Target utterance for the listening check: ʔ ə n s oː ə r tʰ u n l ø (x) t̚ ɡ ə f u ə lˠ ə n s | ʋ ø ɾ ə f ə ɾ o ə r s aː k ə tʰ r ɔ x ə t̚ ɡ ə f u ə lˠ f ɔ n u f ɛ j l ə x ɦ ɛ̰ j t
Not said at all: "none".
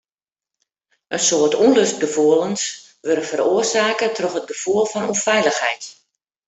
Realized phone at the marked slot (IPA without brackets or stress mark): s